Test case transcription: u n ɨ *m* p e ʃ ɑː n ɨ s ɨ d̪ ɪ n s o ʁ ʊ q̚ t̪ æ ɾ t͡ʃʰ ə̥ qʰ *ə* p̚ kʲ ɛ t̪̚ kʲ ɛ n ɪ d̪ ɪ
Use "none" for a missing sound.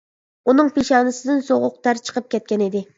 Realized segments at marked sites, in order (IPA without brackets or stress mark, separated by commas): ŋ, ə